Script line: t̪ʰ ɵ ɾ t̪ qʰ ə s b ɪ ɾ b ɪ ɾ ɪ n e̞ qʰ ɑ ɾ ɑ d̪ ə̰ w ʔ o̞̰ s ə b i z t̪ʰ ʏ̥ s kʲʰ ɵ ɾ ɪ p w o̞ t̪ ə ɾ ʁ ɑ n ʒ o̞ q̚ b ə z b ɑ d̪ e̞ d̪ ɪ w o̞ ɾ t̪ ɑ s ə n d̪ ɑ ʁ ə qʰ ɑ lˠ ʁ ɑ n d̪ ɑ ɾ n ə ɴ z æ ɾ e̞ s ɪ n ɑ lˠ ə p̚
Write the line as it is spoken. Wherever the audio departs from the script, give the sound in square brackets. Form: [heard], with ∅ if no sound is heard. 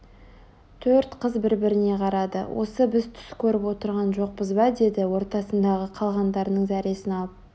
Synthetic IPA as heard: t̪ʰ ɵ ɾ t̪ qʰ ə [z] b ɪ ɾ b ɪ ɾ ɪ n e̞ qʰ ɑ ɾ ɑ d̪ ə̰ w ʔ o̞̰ s ə b [ɪ] z t̪ʰ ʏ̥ s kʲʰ ɵ ɾ ɪ p w o̞ t̪ ə ɾ ʁ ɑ n ʒ o̞ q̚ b ə z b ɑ d̪ e̞ d̪ ɪ w o̞ ɾ t̪ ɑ s ə n d̪ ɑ ʁ ə qʰ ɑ lˠ ʁ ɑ n d̪ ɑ ɾ n ə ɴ z æ ɾ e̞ s ɪ n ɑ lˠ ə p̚